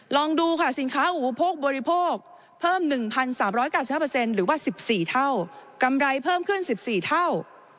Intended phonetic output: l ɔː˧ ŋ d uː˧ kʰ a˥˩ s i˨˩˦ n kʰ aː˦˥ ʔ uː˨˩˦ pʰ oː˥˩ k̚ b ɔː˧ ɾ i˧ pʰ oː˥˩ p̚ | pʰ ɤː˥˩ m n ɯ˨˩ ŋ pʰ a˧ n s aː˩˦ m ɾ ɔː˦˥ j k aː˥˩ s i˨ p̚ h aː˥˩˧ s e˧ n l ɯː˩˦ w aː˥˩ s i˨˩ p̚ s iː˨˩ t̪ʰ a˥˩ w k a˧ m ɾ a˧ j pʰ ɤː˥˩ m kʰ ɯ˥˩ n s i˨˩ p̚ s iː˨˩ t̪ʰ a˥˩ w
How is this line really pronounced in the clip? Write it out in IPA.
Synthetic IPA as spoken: l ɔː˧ ŋ d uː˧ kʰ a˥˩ s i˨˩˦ n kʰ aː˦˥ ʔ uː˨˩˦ pʰ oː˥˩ k̚ b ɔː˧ ɾ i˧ pʰ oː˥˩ k̚ | pʰ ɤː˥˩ m n ɯ˨˩ ŋ pʰ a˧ n s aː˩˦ m ɾ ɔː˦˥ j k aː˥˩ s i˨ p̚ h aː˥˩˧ s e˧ n ɾ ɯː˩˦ w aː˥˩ s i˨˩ p̚ s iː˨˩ t̪ʰ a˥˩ w k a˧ m ɾ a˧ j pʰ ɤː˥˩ m kʰ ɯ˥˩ n s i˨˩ p̚ s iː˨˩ t̪ʰ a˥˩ w